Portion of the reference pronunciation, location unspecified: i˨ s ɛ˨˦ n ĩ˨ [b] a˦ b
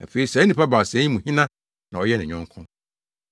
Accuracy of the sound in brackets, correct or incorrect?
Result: incorrect